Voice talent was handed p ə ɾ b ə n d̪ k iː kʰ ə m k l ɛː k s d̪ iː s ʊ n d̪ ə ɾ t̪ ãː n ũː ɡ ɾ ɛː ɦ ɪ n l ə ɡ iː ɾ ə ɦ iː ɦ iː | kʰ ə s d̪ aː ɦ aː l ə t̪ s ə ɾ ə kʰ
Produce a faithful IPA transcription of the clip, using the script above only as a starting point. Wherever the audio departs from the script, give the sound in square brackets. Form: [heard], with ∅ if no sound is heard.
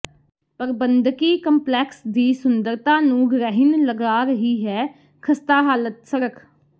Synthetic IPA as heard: p ə ɾ b ə n d̪ k iː [k] ə m [p] l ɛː k s d̪ iː s ʊ n d̪ ə ɾ t̪ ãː n ũː ɡ ɾ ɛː ɦ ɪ n l ə ɡ [aː] ɾ ə ɦ iː ɦ [ɛː] | kʰ ə s [t̪] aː ɦ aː l ə t̪ s ə ɾ ə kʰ